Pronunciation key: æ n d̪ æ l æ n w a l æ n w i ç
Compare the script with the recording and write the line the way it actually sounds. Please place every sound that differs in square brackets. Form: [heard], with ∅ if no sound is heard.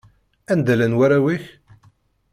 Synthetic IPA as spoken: æ n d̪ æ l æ n w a [ɾ] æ [∅] w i ç